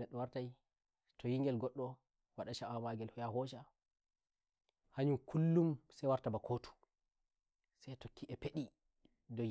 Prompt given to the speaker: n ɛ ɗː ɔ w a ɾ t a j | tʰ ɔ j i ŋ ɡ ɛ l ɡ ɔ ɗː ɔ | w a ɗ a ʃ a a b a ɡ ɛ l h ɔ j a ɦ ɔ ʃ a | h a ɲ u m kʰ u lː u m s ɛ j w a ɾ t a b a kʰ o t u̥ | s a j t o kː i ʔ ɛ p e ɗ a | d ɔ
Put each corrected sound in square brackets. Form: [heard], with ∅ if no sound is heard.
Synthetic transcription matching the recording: n ɛ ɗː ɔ w a ɾ t a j | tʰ ɔ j i ŋ ɡ ɛ l ɡ ɔ ɗː ɔ | w a ɗ a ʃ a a [m] a ɡ ɛ l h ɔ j a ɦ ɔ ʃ a | h a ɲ u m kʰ u lː u m s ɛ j w a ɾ t a b a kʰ o t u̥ | s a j t o kː i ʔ ɛ p e ɗ [i] | d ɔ